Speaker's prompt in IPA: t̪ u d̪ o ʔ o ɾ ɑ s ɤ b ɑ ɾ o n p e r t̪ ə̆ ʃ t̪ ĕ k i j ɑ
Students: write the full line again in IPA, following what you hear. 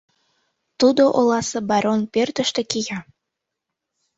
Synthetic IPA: t̪ u d̪ o ʔ o l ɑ s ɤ b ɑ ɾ o n p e r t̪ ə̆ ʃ t̪ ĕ k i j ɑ